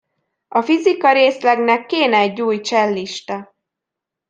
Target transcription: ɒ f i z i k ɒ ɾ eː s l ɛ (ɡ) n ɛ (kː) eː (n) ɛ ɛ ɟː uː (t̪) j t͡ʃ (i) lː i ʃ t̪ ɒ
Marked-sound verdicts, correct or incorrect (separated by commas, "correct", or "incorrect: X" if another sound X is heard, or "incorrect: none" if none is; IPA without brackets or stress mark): correct, correct, correct, incorrect: none, incorrect: ɛ